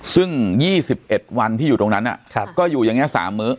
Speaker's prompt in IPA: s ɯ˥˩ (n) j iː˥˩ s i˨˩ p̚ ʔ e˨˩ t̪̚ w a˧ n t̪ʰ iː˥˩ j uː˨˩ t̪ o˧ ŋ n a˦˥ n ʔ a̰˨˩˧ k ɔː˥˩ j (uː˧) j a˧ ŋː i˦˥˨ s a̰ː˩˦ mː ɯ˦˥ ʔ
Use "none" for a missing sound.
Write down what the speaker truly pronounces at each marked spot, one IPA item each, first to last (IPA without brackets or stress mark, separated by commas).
ŋ, uː˨˩